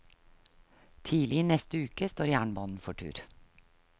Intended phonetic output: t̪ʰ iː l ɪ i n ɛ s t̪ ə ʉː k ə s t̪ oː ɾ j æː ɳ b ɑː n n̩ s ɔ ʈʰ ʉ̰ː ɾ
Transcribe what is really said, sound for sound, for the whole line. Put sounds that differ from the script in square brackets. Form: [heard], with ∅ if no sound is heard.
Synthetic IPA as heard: t̪ʰ iː l ɪ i n ɛ s t̪ ə ʉː k ə s t̪ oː ɾ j æː ɳ b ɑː n n̩ [f] ɔ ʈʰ ʉ̰ː ɾ